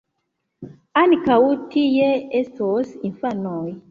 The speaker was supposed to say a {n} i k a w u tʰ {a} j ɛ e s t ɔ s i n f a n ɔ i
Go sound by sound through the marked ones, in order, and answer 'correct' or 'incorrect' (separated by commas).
correct, incorrect